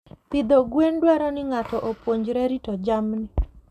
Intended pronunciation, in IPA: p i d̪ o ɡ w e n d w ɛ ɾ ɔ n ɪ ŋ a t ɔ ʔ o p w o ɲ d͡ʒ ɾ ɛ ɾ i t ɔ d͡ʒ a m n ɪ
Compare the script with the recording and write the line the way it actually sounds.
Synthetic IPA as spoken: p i d̪ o ɡ w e n d w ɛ ɾ ɔ n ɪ ŋ a t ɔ ʔ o p w o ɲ d͡ʒ ɾ ɛ ɾ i t ɔ d͡ʒ a m n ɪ